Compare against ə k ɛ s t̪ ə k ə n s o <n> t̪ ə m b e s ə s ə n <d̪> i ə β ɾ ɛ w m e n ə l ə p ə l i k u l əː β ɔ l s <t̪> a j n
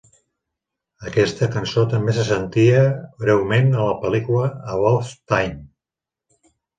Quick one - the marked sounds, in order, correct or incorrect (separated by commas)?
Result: incorrect, incorrect, correct